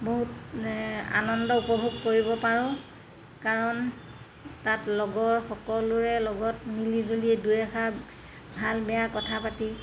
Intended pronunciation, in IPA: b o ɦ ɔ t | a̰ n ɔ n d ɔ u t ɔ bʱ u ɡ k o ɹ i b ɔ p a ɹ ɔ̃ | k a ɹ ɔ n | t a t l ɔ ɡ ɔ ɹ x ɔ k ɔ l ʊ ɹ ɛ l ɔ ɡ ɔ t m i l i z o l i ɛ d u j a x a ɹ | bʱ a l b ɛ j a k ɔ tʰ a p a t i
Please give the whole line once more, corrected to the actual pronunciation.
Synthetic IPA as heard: b o ɦ u t | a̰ n ɔ n d ɔ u p ɔ bʱ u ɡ k o ɹ i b ɔ p a ɹ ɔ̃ | k a ɹ ɔ n | t a t l ɔ ɡ ɔ ɹ x ɔ k ɔ l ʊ ɹ ɛ l ɔ ɡ ɔ t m i l i z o l i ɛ d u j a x a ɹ | bʱ a l b ɛ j a k ɔ tʰ a p a t i